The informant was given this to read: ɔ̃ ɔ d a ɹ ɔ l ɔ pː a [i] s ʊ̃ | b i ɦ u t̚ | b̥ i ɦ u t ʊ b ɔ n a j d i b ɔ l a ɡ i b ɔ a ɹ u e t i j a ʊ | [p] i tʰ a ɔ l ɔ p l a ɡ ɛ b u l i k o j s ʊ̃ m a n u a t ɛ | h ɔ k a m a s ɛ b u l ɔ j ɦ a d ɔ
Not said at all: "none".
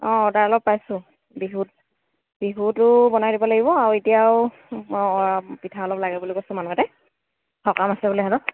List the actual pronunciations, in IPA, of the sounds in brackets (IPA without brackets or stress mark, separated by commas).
j, p